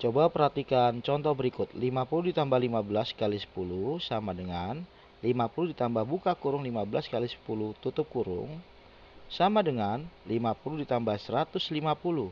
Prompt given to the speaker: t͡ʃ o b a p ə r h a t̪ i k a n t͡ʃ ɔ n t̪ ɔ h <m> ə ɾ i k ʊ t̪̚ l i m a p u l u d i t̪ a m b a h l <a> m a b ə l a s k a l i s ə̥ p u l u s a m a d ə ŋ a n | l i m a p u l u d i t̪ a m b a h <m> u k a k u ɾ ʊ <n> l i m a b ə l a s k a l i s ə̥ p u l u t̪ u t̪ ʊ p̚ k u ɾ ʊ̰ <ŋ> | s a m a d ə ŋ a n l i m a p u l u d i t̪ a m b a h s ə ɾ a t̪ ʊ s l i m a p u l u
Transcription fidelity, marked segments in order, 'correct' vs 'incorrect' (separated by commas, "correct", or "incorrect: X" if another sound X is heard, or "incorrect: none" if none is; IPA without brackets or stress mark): incorrect: b, incorrect: i, incorrect: b, incorrect: ŋ, correct